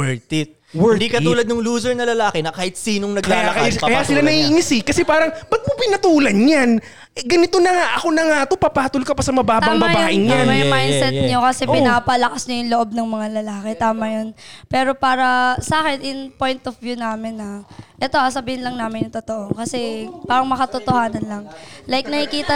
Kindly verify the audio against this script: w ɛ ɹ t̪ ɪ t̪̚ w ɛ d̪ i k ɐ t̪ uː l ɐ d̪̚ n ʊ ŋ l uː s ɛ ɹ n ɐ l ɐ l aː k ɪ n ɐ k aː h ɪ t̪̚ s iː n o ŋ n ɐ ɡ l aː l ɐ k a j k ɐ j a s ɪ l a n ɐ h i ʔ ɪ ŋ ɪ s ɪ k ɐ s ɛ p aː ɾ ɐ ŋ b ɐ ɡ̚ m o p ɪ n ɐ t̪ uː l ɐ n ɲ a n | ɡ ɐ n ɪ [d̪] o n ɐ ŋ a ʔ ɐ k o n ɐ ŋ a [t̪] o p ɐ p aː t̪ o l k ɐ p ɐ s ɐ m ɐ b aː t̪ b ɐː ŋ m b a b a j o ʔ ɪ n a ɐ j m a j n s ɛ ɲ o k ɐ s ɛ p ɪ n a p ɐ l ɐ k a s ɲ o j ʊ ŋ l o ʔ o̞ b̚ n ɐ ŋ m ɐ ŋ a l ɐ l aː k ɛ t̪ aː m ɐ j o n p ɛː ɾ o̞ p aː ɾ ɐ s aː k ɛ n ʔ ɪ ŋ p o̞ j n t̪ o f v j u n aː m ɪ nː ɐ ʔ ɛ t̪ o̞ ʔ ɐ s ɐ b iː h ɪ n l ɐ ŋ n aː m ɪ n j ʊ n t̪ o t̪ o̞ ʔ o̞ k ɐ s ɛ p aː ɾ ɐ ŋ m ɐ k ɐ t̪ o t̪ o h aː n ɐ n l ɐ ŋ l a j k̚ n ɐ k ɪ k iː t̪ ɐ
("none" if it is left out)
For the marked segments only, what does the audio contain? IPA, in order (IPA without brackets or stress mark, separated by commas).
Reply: t̪, t̪